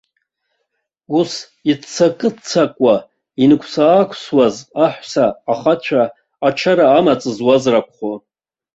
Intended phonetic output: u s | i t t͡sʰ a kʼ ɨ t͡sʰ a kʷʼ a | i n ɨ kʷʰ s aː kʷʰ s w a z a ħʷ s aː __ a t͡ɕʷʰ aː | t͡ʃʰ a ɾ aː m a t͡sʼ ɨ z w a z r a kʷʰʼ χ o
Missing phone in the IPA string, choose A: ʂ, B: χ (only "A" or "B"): B